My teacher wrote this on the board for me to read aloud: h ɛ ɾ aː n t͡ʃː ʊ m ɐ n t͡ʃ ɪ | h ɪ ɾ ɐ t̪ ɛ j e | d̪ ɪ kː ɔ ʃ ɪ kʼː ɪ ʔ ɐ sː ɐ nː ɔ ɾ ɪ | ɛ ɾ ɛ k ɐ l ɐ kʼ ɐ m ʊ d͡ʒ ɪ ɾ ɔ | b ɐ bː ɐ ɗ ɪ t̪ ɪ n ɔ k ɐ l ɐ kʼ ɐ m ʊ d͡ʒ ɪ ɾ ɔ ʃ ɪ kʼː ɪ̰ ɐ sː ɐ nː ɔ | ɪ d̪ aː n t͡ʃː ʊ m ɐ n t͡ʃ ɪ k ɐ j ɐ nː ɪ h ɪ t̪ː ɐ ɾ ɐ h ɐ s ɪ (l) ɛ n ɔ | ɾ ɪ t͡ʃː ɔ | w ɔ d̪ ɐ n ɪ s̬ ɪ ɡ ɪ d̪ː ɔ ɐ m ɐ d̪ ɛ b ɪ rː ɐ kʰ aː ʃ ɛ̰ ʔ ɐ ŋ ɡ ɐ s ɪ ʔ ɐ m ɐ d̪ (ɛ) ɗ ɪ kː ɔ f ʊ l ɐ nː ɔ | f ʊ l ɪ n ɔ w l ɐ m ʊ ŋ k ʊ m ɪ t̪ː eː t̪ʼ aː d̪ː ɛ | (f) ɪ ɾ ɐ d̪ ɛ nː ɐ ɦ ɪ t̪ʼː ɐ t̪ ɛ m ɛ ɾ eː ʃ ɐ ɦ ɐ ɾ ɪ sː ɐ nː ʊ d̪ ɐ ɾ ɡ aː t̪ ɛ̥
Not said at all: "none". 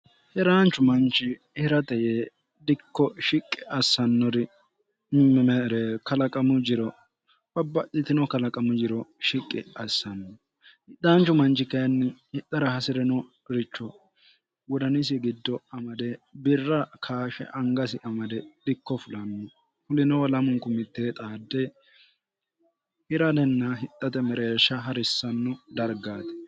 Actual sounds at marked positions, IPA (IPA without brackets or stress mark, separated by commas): ɾ, ɛ, h